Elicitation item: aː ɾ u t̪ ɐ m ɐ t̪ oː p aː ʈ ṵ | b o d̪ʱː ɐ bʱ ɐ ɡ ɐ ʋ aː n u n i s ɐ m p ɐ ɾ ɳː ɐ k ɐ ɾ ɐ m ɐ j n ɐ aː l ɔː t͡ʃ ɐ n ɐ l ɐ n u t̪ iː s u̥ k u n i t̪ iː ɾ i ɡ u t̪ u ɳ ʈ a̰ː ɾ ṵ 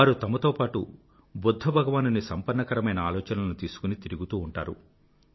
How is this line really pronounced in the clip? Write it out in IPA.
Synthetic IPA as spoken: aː ɾ u t̪ ɐ m ɐ t̪ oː p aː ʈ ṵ | b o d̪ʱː ɐ bʱ ɐ ɡ ɐ ʋ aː n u n i s ɐ m p ɐ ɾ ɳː ɐ k ɐ ɾ ɐ m ɐ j n ɐ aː l ɔː t͡ʃ ɐ n ɐ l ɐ n u t̪ iː s u̥ k u n i t̪ i ɾ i ɡ u t̪ uː ɳ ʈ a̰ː ɾ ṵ